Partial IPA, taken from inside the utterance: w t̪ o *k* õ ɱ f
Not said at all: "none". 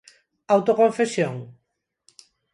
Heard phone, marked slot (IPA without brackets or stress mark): k